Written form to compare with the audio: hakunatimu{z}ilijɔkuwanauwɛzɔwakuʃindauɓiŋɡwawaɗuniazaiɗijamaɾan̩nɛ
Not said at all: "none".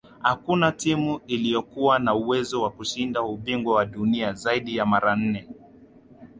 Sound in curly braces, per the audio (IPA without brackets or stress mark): none